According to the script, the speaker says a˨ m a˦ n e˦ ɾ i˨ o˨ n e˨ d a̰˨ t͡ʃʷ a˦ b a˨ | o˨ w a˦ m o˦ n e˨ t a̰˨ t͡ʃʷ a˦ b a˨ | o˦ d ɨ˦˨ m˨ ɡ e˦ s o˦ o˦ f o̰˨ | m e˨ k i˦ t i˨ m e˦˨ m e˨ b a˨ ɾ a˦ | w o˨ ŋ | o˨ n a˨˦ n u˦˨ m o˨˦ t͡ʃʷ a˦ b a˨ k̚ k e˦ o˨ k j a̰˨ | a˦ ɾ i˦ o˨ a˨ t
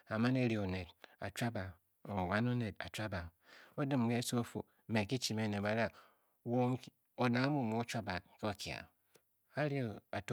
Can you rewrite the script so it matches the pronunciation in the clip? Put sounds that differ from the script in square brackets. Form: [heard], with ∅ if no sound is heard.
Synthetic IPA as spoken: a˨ m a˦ n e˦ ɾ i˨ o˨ n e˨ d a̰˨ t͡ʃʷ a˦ b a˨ | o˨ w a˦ [n] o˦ n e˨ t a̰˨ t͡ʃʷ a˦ b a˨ | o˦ d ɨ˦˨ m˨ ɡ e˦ s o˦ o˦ f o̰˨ | m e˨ k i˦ [t͡ʃ] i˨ m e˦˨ [n] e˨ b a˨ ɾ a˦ | w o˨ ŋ | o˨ n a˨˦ [m] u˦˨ m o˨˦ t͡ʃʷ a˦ b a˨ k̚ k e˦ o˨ k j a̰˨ | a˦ ɾ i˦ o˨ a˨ t